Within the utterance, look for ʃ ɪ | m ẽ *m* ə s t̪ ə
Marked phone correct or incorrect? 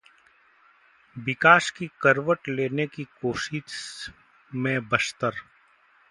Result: incorrect